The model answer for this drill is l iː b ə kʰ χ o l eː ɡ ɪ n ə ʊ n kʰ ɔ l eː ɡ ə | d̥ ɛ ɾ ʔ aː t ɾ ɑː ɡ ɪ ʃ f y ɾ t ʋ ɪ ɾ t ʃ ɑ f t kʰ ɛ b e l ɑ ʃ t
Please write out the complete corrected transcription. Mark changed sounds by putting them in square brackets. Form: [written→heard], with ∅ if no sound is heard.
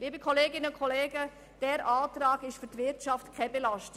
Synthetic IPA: l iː b ə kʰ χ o l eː ɡ ɪ n ə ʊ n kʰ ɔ l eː ɡ ə | d̥ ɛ ɾ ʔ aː t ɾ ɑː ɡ ɪ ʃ f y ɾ t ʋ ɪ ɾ t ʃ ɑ f t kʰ ɛ b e l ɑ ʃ t